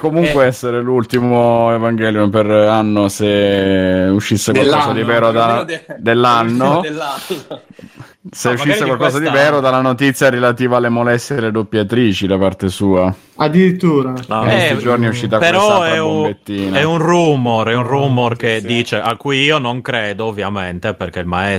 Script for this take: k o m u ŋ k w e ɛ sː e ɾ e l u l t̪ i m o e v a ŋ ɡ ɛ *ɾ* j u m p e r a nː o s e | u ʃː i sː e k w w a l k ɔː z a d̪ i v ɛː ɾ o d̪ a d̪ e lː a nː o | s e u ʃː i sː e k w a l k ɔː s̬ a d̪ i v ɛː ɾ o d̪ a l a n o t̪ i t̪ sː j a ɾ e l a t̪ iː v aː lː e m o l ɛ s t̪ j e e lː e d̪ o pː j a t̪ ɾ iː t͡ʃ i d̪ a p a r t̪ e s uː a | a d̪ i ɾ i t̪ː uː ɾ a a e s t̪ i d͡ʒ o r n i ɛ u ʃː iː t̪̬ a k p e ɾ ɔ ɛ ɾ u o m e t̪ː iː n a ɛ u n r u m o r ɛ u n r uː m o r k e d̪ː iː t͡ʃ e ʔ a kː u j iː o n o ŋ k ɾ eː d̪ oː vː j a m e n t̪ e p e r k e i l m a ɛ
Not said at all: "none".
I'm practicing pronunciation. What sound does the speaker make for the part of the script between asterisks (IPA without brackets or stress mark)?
l